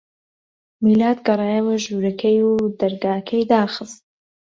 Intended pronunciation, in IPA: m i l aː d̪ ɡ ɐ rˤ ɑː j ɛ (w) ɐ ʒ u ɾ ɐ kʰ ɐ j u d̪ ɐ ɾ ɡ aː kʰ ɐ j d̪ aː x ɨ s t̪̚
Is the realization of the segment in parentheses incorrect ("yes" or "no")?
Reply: no